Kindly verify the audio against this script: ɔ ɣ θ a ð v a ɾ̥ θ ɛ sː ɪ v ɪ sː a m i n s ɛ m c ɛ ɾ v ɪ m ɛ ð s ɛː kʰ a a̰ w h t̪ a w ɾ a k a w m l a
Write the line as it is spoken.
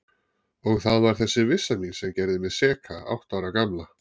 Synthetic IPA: ɔ ɣ θ a ð v a ɾ̥ θ ɛ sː ɪ v ɪ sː a m i n s ɛ m c ɛ ɾ ð ɪ m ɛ ð s ɛː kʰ a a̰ w h t̪ a w ɾ a k a m l a